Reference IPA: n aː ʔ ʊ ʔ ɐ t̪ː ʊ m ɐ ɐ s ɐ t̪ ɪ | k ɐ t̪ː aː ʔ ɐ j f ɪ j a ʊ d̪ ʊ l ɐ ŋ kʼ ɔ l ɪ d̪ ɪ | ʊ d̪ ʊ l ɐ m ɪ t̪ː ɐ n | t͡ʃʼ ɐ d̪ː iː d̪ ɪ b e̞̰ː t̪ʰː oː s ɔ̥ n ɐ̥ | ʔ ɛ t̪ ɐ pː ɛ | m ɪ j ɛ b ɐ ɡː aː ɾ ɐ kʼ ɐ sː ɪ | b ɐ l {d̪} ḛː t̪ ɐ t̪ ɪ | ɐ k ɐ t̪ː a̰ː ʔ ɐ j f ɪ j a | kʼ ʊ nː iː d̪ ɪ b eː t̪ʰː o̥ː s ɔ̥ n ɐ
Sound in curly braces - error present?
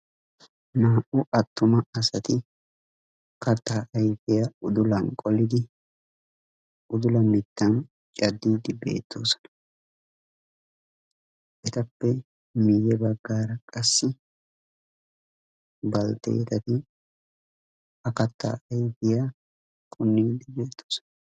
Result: yes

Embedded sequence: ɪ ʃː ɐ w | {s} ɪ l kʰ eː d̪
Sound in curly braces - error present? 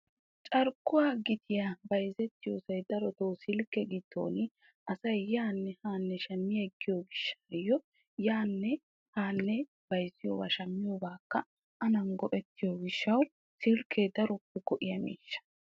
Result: no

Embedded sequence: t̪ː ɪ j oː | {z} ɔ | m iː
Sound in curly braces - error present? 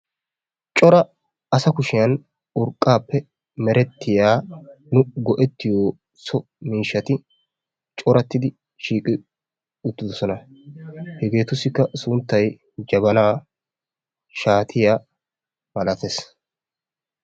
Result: yes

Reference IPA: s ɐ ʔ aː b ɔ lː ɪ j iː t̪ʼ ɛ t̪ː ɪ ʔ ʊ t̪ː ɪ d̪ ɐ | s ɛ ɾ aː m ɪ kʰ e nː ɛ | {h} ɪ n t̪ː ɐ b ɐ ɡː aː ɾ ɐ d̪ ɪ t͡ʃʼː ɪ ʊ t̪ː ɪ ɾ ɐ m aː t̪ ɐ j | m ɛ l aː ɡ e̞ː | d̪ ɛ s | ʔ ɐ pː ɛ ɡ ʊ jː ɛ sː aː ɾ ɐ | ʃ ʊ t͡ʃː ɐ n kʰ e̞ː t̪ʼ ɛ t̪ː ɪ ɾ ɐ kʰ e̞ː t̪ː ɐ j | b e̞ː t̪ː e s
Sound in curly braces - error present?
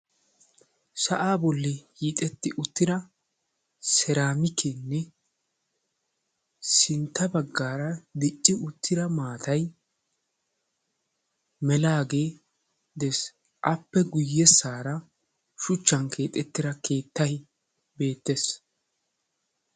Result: yes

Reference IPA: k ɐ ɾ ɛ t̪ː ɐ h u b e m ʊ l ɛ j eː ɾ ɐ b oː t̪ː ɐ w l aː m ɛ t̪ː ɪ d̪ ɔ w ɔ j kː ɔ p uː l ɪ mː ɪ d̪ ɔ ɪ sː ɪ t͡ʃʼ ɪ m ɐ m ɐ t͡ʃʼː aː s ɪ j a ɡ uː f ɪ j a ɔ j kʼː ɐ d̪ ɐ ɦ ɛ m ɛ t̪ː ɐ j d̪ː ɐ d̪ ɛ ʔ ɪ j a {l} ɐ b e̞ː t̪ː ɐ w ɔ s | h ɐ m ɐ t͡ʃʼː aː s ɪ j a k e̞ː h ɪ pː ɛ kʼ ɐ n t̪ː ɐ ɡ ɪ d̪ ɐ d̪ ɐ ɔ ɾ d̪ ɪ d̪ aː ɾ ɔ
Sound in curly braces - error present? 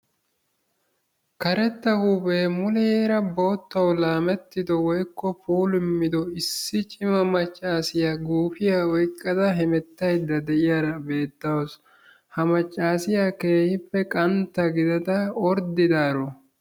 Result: yes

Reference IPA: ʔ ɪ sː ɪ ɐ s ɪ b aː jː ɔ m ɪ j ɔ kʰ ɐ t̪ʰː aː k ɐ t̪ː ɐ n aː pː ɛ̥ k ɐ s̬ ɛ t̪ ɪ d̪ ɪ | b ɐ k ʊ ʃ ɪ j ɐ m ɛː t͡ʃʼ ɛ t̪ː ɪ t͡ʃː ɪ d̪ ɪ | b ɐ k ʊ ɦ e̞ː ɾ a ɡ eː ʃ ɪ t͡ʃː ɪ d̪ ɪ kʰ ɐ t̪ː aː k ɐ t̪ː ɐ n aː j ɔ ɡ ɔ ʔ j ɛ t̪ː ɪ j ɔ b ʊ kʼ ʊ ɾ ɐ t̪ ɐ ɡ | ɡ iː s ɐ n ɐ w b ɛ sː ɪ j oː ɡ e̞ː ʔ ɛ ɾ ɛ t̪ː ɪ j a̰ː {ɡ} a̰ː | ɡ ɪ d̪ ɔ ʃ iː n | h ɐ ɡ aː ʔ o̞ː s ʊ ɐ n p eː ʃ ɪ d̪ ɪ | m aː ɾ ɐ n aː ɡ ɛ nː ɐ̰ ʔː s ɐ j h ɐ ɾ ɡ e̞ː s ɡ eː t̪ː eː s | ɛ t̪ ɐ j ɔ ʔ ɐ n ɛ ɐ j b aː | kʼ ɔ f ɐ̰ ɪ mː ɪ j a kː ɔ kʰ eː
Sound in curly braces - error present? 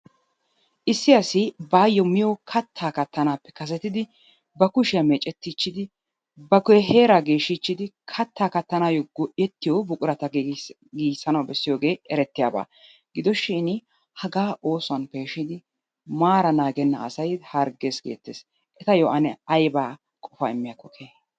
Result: yes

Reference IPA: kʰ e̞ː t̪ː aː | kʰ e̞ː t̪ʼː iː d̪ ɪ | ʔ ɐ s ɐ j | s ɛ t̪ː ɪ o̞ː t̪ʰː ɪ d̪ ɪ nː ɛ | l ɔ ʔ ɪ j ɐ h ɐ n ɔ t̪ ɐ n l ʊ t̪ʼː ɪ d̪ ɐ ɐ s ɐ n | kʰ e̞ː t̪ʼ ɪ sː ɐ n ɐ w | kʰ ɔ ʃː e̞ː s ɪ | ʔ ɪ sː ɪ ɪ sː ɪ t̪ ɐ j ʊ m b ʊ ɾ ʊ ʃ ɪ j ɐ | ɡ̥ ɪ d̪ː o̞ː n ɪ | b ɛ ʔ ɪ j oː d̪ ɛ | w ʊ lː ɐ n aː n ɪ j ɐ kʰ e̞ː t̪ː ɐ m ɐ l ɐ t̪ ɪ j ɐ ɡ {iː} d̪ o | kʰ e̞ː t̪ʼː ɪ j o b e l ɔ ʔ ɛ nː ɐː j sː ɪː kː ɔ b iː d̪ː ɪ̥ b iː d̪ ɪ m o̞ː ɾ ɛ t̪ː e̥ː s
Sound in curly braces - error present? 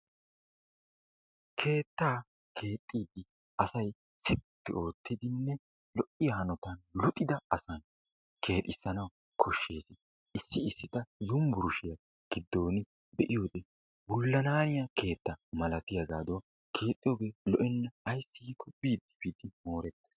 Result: yes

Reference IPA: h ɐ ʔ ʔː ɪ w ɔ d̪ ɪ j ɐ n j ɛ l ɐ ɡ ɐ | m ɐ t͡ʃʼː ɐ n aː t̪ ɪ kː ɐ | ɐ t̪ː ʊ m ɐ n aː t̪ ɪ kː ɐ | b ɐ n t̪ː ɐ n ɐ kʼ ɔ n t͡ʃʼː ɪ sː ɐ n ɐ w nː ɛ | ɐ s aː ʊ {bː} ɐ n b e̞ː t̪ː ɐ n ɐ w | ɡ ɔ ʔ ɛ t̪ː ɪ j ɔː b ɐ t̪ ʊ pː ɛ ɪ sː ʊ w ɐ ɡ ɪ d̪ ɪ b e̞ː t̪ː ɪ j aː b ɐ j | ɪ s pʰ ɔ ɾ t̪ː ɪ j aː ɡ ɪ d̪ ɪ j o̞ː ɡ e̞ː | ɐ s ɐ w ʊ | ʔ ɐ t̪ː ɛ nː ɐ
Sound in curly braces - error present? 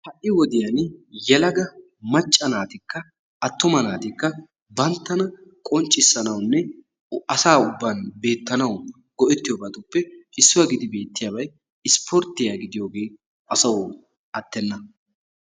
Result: no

